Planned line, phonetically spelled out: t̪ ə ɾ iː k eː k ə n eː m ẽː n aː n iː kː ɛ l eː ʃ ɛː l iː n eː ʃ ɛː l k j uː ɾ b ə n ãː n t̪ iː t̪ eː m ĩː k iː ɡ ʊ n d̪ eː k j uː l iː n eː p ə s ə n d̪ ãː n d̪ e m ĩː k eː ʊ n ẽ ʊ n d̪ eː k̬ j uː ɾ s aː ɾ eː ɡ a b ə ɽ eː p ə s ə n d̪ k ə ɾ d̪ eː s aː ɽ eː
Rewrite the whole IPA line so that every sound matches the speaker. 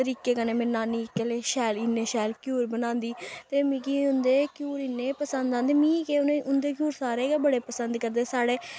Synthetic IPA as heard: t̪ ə ɾ iː k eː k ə n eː m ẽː n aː n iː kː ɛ l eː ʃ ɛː l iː n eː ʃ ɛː l k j uː ɾ b ə n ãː n d̪ iː t̪ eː m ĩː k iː ʊ n d̪ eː k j uː ɾ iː n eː p ə s ə n d̪ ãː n d̪ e m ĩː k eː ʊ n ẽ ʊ n d̪ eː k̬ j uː ɾ s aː ɾ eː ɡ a b ə ɽ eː p ə s ə n d̪ k ə ɾ d̪ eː s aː ɽ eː